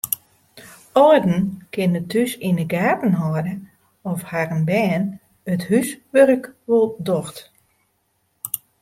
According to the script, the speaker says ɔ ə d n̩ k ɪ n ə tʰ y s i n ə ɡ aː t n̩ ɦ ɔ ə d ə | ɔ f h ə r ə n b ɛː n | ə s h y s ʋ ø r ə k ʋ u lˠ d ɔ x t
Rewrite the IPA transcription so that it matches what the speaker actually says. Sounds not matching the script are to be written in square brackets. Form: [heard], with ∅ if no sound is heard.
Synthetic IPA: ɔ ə d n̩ k ɪ n ə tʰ y s i n ə ɡ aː t n̩ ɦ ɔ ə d ə | ɔ f h [a] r ə n b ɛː n | ə [t] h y s ʋ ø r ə k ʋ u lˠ d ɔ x t